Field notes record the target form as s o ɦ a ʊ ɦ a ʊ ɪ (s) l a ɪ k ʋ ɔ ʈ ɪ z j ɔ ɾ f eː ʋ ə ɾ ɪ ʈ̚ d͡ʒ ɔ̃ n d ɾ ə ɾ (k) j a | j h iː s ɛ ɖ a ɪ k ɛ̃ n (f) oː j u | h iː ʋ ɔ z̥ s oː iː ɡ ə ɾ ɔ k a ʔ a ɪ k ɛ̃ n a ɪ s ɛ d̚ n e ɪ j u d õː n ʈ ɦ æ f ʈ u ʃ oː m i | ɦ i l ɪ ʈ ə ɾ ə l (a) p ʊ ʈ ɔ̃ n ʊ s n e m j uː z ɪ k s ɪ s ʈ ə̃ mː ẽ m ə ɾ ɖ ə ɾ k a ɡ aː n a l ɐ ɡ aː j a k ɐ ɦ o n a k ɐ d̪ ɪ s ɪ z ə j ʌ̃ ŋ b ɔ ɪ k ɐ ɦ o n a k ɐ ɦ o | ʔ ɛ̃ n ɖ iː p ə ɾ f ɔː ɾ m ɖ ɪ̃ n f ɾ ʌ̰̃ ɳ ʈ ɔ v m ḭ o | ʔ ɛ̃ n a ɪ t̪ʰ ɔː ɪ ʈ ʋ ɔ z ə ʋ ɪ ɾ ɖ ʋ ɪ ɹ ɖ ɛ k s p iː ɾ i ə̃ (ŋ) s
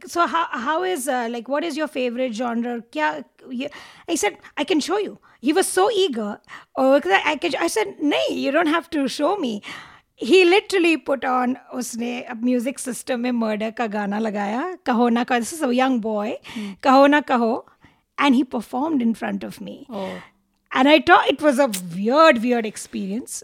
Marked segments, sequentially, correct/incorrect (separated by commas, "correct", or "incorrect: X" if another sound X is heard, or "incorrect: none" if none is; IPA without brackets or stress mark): incorrect: z, correct, incorrect: ʃ, incorrect: i, incorrect: n